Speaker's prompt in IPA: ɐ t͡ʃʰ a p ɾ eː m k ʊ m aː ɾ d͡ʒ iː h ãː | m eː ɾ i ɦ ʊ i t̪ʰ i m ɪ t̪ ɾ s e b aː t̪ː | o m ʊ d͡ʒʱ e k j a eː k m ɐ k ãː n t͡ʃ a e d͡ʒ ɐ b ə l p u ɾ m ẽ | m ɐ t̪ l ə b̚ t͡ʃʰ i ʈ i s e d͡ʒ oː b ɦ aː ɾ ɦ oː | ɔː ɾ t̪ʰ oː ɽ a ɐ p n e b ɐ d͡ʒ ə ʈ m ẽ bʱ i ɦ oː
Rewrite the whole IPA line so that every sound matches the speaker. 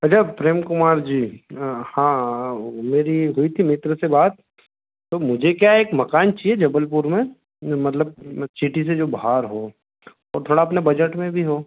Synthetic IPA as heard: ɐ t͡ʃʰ a p ɾ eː m k ʊ m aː ɾ d͡ʒ iː h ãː | m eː ɾ i ɦ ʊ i t̪ʰ i m ɪ t̪ ɾ s e b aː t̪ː | o m ʊ d͡ʒʱ e k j a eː k m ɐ k aː n t͡ʃ i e d͡ʒ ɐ b ə l p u ɾ m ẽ | m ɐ t̪ l ə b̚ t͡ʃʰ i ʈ i s e d͡ʒ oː b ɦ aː ɾ ɦ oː | ɔː ɾ t̪ʰ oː ɽ a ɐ p n e b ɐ d͡ʒ ə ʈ m ẽ bʱ i ɦ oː